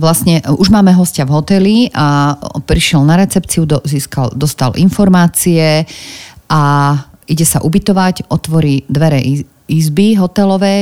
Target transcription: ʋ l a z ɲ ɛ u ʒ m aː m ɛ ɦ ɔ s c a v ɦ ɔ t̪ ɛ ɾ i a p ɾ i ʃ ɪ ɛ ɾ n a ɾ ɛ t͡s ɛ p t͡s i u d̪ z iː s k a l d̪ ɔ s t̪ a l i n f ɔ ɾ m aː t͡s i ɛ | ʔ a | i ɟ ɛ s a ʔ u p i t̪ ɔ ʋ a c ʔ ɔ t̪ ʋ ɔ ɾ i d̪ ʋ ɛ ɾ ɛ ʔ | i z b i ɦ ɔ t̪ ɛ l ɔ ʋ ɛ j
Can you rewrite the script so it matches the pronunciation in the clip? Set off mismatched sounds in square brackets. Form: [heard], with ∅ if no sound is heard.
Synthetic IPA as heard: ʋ l a [s] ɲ ɛ u ʒ m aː m ɛ ɦ ɔ s c a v ɦ ɔ t̪ ɛ [l] i a p ɾ i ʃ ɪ ɛ [l] n a ɾ ɛ t͡s ɛ p t͡s i u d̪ z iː s k a l d̪ ɔ s t̪ a l i n f ɔ ɾ m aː t͡s i ɛ | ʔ a | i ɟ ɛ s a ʔ u [b] i t̪ ɔ ʋ a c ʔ ɔ t̪ ʋ ɔ ɾ i d̪ ʋ ɛ ɾ ɛ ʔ | i z b i ɦ ɔ t̪ ɛ l ɔ ʋ ɛ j